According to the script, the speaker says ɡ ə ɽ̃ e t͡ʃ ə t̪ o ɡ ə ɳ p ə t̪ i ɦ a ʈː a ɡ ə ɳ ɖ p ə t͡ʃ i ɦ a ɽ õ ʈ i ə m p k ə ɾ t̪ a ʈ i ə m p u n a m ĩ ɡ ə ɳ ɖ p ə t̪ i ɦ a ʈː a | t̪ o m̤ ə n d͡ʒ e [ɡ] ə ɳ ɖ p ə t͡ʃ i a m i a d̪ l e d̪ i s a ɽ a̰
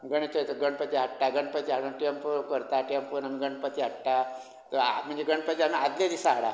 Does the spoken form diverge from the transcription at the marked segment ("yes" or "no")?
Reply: no